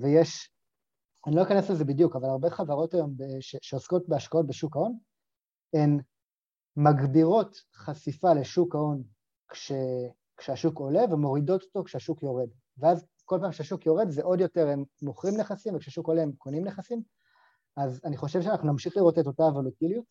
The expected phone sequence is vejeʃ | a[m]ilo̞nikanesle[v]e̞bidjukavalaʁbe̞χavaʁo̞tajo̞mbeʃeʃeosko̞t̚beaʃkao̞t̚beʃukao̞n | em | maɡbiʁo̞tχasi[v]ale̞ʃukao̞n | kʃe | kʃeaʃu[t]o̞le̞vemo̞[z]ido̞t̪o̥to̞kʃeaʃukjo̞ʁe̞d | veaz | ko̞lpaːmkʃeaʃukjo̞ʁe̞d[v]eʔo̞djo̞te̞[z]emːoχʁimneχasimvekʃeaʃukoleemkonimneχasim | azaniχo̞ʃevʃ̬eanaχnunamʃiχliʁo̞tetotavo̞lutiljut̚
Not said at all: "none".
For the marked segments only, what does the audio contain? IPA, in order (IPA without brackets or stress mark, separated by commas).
n, z, f, k, ʁ, z, ʁ